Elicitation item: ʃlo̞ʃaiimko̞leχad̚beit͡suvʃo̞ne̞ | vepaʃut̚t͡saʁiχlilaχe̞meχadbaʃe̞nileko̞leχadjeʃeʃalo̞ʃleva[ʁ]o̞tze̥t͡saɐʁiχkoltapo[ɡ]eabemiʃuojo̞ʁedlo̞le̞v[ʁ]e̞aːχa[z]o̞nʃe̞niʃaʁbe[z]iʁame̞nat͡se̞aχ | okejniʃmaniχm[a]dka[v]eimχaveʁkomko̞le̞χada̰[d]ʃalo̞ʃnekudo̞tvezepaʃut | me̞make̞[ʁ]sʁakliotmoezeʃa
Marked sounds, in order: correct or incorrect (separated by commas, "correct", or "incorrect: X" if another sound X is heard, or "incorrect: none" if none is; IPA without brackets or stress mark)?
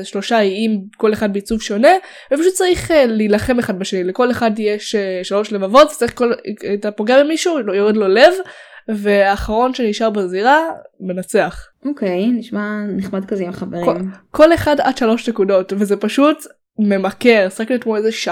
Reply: incorrect: v, correct, incorrect: v, incorrect: ʁ, correct, correct, incorrect: z, correct, correct